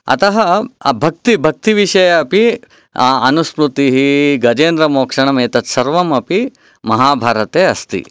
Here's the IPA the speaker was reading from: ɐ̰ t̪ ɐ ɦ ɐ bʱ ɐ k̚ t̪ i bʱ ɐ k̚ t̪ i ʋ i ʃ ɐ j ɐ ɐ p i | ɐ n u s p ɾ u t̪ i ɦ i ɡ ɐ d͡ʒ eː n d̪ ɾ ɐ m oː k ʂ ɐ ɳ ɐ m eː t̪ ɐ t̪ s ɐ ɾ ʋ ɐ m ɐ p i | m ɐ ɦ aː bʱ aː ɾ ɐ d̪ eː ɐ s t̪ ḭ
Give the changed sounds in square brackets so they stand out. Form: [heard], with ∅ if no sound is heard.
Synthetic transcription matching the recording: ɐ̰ t̪ ɐ ɦ ɐ bʱ ɐ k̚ t̪ i bʱ ɐ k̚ t̪ i ʋ i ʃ ɐ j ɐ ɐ p i | ɐ n u s p ɾ u t̪ i ɦ i ɡ ɐ d͡ʒ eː n d̪ ɾ ɐ m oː k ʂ ɐ ɳ ɐ m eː t̪ ɐ t̪ s ɐ ɾ ʋ ɐ m ɐ p i | m ɐ ɦ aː bʱ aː ɾ ɐ [t̪] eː ɐ s t̪ ḭ